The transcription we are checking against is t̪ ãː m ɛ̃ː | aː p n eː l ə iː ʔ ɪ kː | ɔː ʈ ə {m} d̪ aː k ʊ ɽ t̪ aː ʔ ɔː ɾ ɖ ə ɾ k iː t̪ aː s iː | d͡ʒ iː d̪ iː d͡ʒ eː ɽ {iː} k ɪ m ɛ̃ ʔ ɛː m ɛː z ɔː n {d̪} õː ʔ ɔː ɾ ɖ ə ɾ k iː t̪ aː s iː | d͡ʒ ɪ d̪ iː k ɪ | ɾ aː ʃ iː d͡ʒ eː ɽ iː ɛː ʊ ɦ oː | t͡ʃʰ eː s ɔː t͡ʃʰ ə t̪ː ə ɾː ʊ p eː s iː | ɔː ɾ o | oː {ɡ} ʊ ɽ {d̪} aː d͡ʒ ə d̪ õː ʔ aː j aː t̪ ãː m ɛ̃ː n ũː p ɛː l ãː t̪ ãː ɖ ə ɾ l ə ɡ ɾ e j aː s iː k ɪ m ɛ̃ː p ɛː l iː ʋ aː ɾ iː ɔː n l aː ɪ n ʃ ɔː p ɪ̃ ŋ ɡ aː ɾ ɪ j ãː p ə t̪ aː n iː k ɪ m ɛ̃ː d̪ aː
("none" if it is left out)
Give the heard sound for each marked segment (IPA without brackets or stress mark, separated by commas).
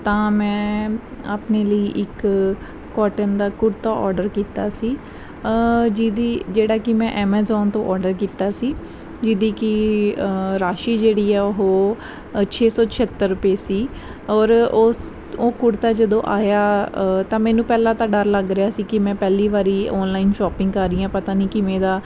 n, aː, t̪, k, t̪